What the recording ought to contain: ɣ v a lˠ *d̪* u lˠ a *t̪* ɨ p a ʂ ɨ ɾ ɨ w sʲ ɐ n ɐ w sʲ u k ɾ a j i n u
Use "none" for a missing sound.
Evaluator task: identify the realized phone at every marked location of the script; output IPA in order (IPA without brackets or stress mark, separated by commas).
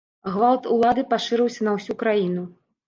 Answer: t̪, d̪